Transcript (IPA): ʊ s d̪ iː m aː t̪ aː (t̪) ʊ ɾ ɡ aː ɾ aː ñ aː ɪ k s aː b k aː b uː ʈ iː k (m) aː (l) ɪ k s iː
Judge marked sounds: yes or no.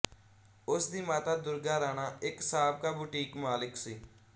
no, yes, yes

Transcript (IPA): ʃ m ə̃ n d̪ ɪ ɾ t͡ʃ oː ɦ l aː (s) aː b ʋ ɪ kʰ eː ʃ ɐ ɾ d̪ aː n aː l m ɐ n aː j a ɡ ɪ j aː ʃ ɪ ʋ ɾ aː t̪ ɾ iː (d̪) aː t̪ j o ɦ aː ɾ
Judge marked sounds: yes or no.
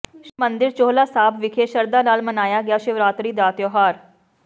yes, yes

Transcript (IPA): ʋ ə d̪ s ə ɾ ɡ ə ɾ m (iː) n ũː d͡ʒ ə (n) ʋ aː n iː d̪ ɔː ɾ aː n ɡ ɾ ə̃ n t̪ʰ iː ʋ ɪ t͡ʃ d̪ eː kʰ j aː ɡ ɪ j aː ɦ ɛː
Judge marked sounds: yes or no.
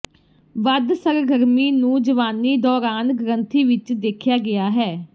yes, no

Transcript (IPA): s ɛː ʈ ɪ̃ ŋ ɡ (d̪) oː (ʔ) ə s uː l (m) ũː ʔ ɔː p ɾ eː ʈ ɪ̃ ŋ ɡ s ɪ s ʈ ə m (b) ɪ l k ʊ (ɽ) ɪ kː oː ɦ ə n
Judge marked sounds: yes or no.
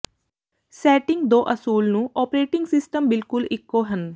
yes, yes, no, yes, no

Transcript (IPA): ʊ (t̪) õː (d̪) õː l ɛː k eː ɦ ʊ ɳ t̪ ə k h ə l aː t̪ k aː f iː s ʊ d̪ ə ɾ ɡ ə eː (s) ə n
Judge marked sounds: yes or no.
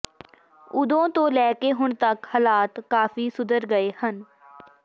no, no, no

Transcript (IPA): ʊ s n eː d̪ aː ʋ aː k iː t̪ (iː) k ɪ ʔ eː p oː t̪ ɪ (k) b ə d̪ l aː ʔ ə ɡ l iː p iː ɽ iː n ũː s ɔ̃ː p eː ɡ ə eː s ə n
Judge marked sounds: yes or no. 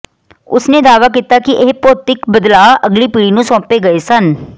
no, yes

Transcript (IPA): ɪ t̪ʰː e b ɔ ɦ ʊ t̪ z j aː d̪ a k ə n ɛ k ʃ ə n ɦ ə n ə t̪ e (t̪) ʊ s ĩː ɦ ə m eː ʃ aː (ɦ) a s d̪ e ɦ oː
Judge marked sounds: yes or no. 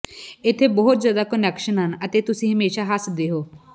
yes, yes

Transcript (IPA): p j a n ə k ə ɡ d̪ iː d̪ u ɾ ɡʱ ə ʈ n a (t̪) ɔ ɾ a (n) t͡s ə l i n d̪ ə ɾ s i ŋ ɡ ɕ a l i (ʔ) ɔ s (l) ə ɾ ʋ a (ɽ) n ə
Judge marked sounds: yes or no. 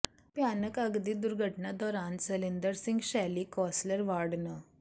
no, yes, no, yes, yes

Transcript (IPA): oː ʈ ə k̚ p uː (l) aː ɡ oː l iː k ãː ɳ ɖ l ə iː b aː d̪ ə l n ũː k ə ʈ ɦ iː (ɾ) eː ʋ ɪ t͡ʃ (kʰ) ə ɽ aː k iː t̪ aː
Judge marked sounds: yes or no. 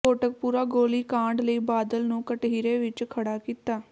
no, yes, yes

